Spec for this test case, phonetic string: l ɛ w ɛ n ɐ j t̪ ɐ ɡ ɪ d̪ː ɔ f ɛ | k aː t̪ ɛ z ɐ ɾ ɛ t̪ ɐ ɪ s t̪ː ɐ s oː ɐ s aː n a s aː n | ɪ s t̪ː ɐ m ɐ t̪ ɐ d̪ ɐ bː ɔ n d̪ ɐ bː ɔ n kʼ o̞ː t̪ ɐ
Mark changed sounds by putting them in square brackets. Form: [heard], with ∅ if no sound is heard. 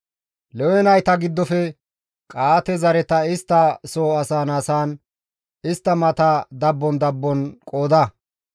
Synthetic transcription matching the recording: l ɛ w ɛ n ɐ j t̪ ɐ ɡ ɪ d̪ː ɔ f ɛ | [kʼ] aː t̪ ɛ z ɐ ɾ ɛ t̪ ɐ ɪ s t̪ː ɐ s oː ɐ s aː n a s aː n | ɪ s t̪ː ɐ m ɐ t̪ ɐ d̪ ɐ bː ɔ n d̪ ɐ bː ɔ n kʼ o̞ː [d̪] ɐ